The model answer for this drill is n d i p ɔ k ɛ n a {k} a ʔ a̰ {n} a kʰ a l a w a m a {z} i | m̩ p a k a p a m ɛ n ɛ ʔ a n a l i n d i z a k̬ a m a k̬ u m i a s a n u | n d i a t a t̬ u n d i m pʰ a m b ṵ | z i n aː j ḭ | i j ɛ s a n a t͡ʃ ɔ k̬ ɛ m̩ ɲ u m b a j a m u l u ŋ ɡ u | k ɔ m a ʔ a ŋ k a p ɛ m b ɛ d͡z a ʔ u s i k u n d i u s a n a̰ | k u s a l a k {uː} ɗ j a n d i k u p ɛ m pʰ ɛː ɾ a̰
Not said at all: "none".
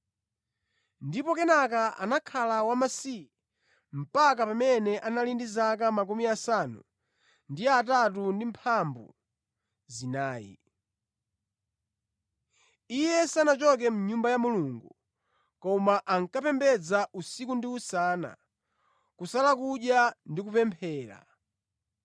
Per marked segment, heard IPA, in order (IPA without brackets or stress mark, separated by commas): k, n, s, u